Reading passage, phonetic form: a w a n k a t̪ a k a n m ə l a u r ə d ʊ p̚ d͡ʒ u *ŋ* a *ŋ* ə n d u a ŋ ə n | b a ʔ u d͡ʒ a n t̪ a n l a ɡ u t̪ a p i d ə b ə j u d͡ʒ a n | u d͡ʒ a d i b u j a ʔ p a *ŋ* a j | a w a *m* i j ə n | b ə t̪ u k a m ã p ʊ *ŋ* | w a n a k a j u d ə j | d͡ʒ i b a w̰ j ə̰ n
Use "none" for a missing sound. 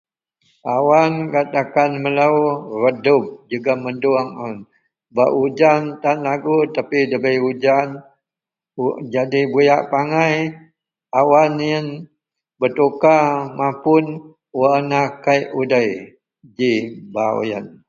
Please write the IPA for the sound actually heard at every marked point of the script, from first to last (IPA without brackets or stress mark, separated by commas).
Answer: ɡ, m, ŋ, n, n